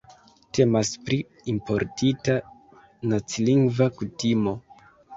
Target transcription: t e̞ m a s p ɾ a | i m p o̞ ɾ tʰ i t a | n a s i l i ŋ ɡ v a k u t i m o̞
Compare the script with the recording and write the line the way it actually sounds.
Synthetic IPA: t e̞ m a s p ɾ i | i m p o̞ ɾ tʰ i t a | n a t͡s i l i ŋ ɡ v a k u t i m o̞